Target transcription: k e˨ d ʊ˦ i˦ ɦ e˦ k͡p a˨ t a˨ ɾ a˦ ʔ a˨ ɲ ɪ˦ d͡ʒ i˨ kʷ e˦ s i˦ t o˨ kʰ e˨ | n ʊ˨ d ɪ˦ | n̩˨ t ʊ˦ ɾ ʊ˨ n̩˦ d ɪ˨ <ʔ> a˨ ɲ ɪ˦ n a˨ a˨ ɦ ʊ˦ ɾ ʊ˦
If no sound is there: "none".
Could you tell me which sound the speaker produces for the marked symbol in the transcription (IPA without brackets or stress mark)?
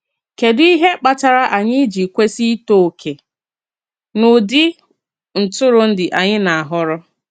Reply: ʔ